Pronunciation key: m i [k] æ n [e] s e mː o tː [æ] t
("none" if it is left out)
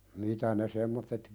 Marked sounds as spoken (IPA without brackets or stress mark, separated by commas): t, e, e